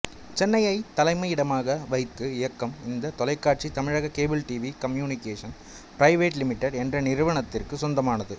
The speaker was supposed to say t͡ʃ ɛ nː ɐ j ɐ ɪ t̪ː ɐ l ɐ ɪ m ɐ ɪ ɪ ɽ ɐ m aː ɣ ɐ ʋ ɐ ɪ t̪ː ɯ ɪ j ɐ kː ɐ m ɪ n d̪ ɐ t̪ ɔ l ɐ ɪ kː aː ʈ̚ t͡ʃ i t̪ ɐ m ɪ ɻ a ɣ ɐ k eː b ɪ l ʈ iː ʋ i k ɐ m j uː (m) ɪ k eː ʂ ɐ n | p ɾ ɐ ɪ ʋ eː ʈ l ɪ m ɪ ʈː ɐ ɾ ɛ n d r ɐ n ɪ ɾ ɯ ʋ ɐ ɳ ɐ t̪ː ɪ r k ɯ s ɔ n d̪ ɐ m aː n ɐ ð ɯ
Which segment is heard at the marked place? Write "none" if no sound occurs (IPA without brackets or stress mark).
n